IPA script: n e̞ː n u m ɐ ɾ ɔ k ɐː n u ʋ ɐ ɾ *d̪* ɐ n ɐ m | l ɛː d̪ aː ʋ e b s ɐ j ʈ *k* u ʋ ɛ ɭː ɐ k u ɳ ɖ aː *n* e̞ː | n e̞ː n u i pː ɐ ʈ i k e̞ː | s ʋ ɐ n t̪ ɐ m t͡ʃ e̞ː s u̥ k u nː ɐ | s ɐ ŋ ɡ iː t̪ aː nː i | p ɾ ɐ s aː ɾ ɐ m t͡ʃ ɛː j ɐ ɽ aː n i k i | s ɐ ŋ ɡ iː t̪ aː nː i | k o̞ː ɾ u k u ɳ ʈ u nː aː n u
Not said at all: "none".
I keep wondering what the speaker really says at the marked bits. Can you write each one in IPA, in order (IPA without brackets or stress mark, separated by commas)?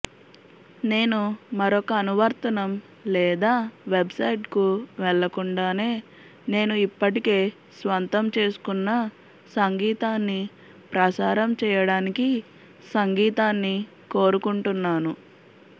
t̪, k, n